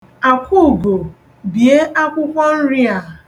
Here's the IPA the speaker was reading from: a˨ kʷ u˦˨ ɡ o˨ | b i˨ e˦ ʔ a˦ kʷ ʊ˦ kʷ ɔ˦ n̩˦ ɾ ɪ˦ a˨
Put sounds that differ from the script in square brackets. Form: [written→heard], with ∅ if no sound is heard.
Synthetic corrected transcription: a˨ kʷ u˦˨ ɡ o˨ | b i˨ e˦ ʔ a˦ kʷ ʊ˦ kʷ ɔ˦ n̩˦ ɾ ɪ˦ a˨